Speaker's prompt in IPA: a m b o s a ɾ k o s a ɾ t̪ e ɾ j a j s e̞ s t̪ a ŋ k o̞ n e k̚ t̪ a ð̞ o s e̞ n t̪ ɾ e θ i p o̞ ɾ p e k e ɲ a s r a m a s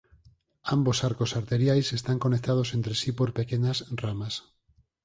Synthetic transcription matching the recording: a m b o s a ɾ k o s a ɾ t̪ e ɾ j a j s e̞ s t̪ a ŋ k o̞ n e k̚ t̪ a ð̞ o s e̞ n t̪ ɾ e s i p o̞ ɾ p e k e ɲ a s r a m a s